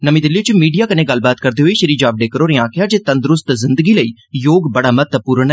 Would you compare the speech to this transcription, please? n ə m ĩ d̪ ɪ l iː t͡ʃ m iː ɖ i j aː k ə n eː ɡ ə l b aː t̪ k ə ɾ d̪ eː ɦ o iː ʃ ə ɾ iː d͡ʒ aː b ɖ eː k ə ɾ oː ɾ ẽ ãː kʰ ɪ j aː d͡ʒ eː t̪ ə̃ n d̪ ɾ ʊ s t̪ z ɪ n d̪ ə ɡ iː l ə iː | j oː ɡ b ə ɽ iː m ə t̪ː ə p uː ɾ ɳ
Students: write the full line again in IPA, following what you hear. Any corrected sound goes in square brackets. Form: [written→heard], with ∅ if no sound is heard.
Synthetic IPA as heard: n ə m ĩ d̪ ɪ l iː t͡ʃ m iː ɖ i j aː k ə n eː ɡ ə l b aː t̪ k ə ɾ d̪ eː ɦ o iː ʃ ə ɾ iː d͡ʒ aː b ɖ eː k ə ɾ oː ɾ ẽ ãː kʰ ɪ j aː d͡ʒ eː t̪ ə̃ n d̪ ɾ ʊ s t̪ z ɪ n d̪ ə ɡ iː l ə iː | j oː ɡ b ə ɽ [iː→aː] m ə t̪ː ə p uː ɾ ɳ

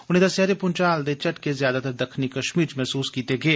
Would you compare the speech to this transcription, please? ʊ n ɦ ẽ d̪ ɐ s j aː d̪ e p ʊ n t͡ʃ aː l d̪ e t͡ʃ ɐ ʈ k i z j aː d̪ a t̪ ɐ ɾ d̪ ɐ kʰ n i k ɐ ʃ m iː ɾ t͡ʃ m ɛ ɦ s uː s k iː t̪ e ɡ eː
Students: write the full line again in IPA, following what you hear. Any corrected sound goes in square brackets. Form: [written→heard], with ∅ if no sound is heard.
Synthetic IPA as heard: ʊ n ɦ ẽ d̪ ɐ s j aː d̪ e p ʊ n t͡ʃ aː l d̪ e t͡ʃ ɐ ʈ k [i→e] z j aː d̪ a t̪ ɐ ɾ d̪ ɐ kʰ n i k ɐ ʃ m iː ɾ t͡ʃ m ɛ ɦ s uː s k iː t̪ e ɡ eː

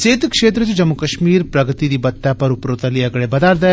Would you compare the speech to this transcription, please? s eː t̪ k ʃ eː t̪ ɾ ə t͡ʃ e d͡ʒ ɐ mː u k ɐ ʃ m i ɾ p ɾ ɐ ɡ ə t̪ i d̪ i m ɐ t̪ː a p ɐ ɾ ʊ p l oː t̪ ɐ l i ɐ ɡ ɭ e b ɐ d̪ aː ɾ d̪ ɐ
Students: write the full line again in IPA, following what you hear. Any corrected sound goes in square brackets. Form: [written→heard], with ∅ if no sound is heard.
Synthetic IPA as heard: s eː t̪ k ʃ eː t̪ ɾ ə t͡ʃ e d͡ʒ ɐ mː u k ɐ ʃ m [i→iː] ɾ p ɾ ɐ ɡ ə t̪ i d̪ i [m→b] ɐ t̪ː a p ɐ ɾ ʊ p [l→ɾ] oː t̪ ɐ l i ɐ ɡ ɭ e b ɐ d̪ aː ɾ d̪ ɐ

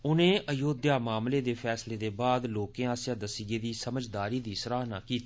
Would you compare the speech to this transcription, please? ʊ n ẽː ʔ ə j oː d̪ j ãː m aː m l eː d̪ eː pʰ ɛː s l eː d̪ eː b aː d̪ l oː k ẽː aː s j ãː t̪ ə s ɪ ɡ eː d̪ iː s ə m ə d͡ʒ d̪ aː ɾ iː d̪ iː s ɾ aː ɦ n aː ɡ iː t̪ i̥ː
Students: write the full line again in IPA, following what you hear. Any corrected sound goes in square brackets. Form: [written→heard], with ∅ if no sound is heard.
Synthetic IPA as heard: ʊ n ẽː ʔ ə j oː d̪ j [ãː→aː] m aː m l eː d̪ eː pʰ ɛː s l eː d̪ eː b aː d̪ l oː k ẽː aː s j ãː [t̪→d̪] ə s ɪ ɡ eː d̪ iː s ə m ə d͡ʒ d̪ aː ɾ iː d̪ iː s ɾ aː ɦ n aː [ɡ→k] iː t̪ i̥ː

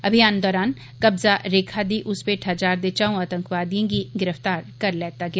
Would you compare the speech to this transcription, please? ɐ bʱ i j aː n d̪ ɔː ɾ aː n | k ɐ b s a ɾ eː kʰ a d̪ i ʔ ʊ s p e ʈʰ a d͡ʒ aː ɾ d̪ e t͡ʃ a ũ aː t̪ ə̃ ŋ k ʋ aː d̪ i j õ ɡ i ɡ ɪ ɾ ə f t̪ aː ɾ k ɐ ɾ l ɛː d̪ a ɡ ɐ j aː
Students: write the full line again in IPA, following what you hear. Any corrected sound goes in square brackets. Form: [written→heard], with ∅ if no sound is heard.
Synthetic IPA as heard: ɐ bʱ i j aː n d̪ ɔː ɾ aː n | k ɐ b [s→z] a ɾ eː kʰ a d̪ i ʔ ʊ s p e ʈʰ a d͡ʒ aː ɾ d̪ e t͡ʃ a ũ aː t̪ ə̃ ŋ k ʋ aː d̪ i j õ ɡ i ɡ ɪ ɾ ə f t̪ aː ɾ k ɐ ɾ l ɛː [d̪→t̪] a ɡ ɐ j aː

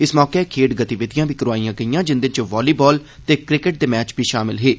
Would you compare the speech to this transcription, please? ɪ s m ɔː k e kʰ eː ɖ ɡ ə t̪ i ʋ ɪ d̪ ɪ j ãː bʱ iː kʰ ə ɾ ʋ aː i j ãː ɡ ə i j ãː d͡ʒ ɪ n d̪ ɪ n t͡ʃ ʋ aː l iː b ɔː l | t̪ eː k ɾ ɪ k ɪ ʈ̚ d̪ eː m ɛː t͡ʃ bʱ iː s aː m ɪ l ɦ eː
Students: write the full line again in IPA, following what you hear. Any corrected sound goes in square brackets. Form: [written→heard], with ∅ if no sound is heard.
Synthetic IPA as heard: ɪ s m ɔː k e kʰ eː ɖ ɡ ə t̪ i ʋ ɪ d̪ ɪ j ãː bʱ iː [kʰ→k] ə ɾ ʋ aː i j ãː ɡ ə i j ãː d͡ʒ ɪ n d̪ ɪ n t͡ʃ ʋ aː l iː b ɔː l | t̪ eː k ɾ ɪ k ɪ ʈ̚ d̪ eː m ɛː t͡ʃ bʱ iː [s→ʃ] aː m ɪ l ɦ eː

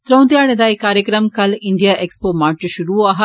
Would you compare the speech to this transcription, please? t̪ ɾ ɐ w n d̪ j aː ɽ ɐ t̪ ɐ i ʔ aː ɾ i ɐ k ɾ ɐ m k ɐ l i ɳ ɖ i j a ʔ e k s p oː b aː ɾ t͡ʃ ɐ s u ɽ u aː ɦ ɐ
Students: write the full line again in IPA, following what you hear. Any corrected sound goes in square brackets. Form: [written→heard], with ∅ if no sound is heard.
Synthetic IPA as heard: t̪ ɾ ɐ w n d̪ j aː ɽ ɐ [t̪→d̪] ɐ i [ʔ→k] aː ɾ [i→j] ɐ k ɾ ɐ m k ɐ l i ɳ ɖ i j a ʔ e k s p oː [b→m] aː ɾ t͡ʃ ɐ [s→ʃ] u [ɽ→ɾ] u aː ɦ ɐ

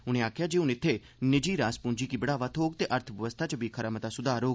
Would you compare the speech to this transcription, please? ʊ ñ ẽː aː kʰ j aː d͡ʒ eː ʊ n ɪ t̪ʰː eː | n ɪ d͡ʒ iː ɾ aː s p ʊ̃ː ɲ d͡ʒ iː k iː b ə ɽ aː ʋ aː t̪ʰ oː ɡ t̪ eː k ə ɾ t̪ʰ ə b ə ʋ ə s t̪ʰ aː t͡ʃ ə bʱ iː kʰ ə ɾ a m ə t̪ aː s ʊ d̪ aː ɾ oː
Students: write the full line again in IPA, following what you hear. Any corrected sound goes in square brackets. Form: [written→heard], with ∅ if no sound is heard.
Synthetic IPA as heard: ʊ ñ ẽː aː kʰ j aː d͡ʒ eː ʊ n ɪ t̪ʰː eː | n ɪ d͡ʒ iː ɾ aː s p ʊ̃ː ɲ d͡ʒ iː k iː b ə ɽ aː ʋ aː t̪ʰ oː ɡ t̪ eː [k→ʔ] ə ɾ t̪ʰ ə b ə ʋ ə s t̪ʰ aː t͡ʃ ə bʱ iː kʰ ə ɾ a m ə t̪ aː s ʊ d̪ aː ɾ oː

